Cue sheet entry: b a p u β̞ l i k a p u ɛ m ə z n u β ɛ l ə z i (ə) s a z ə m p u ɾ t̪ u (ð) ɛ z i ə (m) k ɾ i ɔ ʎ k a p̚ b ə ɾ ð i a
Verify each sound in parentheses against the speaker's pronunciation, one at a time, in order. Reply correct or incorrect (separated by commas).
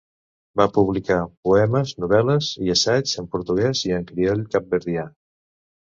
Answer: correct, incorrect, incorrect